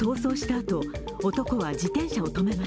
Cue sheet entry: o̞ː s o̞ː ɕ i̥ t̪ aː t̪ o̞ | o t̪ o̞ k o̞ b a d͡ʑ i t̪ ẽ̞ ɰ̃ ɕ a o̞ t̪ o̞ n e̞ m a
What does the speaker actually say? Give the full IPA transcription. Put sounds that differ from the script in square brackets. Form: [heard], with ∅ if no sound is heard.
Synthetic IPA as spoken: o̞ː s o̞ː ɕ i̥ t̪ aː t̪ o̞ | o t̪ o̞ k o̞ [β] a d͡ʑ i t̪ ẽ̞ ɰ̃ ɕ a o̞ t̪ o̞ [m] e̞ m a